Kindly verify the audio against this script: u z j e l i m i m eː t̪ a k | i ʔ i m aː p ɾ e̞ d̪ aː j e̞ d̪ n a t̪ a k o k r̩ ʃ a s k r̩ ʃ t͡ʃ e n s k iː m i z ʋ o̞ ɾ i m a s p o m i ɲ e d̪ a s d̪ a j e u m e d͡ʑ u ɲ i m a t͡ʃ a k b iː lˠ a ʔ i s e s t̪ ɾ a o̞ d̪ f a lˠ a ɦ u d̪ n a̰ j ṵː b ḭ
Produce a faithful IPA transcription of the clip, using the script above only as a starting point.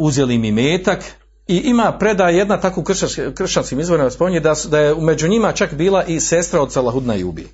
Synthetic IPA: u z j e l i m i m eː t̪ a k | i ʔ i m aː p ɾ e̞ d̪ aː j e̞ d̪ n a t̪ a k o k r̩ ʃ a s k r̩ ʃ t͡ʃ a n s k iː m i z ʋ o̞ ɾ i m a s p o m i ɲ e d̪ a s d̪ a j e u m e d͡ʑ u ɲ i m a t͡ʃ a k b iː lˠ a ʔ i s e s t̪ ɾ a o̞ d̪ s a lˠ a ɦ u d̪ n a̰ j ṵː b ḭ